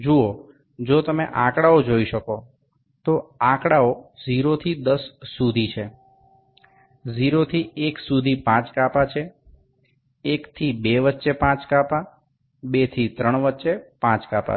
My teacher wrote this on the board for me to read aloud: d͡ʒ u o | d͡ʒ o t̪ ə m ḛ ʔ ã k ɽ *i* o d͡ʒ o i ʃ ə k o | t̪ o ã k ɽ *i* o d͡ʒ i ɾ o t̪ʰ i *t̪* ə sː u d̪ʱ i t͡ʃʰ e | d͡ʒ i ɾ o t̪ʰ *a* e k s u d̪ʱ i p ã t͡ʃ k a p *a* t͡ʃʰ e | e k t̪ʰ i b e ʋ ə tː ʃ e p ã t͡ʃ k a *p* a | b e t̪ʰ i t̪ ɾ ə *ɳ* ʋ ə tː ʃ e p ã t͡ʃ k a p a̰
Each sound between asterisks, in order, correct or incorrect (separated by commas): incorrect, incorrect, incorrect, incorrect, correct, correct, correct